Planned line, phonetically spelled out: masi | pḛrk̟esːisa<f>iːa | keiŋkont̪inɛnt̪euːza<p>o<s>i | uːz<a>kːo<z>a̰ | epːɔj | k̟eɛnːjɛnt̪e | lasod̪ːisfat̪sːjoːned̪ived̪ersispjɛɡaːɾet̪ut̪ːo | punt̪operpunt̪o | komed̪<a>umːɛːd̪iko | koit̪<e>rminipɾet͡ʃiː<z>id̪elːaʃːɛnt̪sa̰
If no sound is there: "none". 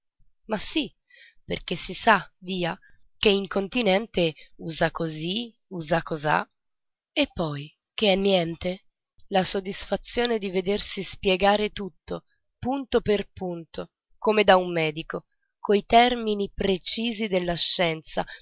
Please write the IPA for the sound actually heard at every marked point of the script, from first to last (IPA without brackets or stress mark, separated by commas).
v, k, z, a, z, a, ɛ, z